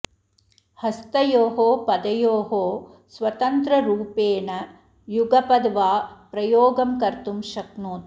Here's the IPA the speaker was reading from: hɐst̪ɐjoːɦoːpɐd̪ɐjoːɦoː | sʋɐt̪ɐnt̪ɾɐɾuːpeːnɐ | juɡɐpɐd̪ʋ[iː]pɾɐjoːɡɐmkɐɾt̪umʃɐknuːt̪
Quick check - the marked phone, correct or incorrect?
incorrect